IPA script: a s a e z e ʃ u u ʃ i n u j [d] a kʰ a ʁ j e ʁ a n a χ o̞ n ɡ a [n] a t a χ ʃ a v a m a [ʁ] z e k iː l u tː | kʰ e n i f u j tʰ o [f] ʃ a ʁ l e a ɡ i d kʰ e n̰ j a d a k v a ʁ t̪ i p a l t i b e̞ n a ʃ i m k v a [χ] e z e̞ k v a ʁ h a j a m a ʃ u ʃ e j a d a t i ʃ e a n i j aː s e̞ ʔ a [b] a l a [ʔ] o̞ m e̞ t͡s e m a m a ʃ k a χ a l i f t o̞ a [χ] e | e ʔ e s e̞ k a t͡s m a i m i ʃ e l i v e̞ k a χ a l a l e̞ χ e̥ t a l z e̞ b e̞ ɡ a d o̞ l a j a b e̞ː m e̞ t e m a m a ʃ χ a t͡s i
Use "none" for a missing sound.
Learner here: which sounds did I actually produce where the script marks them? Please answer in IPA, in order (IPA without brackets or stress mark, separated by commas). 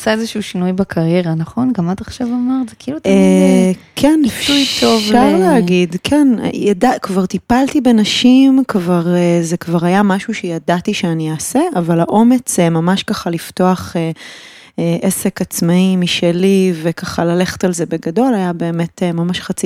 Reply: b, m, ʁ, v, ʁ, v, ʔ, χ